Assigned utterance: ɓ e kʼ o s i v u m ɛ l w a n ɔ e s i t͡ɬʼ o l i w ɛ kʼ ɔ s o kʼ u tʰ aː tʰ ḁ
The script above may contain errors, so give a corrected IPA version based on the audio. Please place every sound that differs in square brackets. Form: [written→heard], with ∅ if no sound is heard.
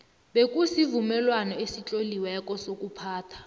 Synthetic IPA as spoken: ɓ e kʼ [o→u] s i v u m ɛ l w a n ɔ e s i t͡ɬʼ o l i w ɛ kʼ ɔ s o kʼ u [tʰ→pʰ] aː tʰ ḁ

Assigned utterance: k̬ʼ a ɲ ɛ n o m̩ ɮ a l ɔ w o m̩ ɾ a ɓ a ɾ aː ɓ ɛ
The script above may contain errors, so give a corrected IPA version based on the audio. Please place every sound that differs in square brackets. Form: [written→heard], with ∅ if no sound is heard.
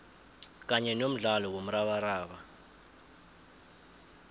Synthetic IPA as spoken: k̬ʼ a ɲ ɛ n o m̩ ɮ a l ɔ w o m̩ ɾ a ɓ a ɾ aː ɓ [ɛ→a]

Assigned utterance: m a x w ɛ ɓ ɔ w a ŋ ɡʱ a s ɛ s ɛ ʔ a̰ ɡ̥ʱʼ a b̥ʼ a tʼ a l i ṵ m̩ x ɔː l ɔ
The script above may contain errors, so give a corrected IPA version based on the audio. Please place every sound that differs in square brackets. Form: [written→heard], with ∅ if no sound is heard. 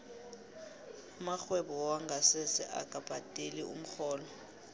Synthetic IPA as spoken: m a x w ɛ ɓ ɔ w a ŋ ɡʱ a s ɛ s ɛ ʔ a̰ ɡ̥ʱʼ a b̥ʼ a tʼ [a→e] l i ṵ m̩ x ɔː l ɔ

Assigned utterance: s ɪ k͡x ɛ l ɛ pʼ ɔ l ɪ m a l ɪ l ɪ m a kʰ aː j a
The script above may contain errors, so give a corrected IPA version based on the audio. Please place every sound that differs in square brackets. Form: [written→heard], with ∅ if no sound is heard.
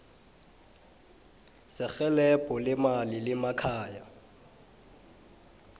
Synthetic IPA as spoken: s ɪ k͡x ɛ l ɛ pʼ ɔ l ɪ m a l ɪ l ɪ m a kʰ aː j a

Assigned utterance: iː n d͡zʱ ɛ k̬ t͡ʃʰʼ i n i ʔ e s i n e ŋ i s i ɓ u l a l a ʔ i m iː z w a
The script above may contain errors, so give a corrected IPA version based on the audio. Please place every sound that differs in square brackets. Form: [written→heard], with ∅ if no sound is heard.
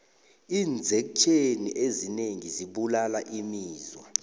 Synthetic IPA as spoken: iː n d͡zʱ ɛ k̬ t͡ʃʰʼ [i→e] n i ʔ e [s→z] i n e ŋ i [s→z] i ɓ u l a l a ʔ i m iː z w a

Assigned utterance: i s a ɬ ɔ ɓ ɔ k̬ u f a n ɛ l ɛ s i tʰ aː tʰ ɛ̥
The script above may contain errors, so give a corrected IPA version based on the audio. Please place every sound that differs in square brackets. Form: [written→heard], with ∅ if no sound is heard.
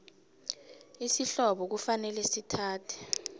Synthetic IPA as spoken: i s [a→i] ɬ ɔ ɓ ɔ k̬ u f a n ɛ l ɛ s i tʰ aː tʰ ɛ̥

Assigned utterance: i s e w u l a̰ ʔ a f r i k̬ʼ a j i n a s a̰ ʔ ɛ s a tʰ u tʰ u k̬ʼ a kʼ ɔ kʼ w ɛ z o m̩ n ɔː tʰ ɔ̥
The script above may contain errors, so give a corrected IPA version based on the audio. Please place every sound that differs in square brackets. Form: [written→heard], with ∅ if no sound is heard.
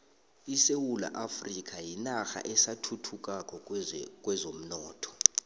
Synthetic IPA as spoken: i s e w u l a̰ ʔ a f r i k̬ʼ a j i n a [s→x] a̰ ʔ ɛ s a tʰ u tʰ u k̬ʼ a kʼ ɔ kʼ w ɛ z o m̩ n ɔː tʰ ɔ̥

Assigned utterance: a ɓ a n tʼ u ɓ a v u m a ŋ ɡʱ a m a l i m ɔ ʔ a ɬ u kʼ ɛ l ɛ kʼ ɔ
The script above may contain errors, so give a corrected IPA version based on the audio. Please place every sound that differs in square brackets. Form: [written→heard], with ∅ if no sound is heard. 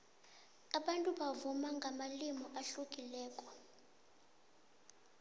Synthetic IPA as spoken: a ɓ a n tʼ u ɓ a v u m a ŋ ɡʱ a m a l i m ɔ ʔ a ɬ u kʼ [ɛ→i] l [ɛ→ɛː] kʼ ɔ

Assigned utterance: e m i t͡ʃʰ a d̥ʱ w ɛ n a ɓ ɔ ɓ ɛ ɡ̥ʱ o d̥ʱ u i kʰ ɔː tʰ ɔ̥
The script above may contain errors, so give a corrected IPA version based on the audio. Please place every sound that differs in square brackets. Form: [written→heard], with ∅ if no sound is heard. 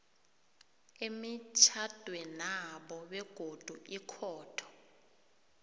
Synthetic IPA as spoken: e m i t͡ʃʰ a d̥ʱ w ɛ n a ɓ ɔ ɓ ɛ ɡ̥ʱ o d̥ʱ u i kʰ ɔː tʰ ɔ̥

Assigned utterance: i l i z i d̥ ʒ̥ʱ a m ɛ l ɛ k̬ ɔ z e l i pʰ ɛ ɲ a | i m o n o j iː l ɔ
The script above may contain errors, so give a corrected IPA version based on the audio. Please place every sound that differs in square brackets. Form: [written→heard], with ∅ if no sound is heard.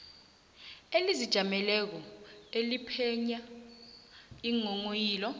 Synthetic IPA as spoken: [i→e] l i z i d̥ ʒ̥ʱ a m ɛ l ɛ k̬ ɔ [z→∅] e l i pʰ ɛ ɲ a | i [m→ŋ] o [n→ŋ] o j iː l ɔ

